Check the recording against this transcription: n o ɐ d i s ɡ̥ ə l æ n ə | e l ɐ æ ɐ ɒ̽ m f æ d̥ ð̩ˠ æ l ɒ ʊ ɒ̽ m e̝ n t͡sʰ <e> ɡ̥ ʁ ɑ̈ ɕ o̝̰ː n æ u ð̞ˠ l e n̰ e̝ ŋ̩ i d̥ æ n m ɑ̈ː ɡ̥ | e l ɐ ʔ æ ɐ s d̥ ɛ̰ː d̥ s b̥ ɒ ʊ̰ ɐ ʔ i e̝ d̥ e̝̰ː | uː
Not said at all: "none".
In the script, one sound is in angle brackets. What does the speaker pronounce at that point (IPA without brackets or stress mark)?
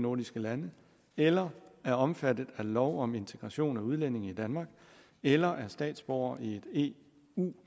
e